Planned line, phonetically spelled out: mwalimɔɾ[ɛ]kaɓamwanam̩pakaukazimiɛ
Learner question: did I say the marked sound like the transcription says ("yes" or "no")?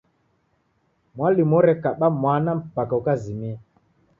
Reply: yes